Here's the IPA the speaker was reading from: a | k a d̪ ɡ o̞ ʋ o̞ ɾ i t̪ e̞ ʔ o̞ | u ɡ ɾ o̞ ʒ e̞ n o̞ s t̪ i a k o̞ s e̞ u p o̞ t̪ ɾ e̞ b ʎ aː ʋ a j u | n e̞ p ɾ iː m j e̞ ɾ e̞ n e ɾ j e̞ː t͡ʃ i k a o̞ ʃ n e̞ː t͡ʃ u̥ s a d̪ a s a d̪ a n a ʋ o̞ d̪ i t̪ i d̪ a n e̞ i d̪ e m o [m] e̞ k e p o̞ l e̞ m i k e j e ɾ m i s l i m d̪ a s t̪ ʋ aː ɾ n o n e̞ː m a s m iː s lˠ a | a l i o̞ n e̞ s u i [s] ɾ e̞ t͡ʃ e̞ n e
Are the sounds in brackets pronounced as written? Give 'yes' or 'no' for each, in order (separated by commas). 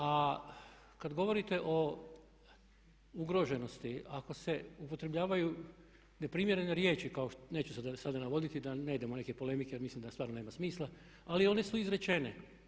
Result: no, no